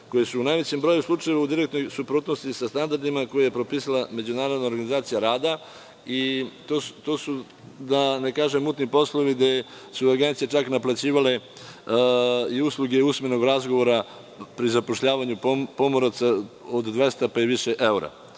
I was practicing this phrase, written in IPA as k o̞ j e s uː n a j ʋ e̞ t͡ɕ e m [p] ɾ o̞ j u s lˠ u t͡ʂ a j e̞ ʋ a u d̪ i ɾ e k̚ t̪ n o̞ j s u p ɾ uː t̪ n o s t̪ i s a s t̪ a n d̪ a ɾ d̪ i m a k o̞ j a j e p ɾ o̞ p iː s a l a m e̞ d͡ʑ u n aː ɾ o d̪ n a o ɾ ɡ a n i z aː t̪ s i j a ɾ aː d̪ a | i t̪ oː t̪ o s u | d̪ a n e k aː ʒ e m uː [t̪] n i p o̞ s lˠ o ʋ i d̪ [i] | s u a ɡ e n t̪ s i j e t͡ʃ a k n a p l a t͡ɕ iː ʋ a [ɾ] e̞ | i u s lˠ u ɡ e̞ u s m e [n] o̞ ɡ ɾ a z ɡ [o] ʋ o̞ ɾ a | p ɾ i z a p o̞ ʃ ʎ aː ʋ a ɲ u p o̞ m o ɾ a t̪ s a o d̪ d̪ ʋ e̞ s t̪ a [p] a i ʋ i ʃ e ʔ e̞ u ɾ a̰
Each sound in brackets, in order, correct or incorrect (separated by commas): incorrect, correct, incorrect, incorrect, correct, correct, correct